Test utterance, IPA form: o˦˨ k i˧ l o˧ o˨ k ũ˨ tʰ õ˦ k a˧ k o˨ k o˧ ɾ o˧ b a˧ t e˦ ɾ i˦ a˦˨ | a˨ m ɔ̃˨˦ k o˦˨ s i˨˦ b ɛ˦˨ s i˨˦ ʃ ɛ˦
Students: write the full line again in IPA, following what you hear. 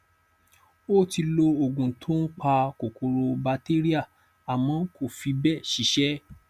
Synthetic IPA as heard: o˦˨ t i˧ l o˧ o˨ ɡ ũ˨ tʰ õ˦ k͡p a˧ k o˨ k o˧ ɾ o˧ b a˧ t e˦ ɾ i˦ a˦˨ | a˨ m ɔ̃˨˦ k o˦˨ f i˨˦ b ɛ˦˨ ʃ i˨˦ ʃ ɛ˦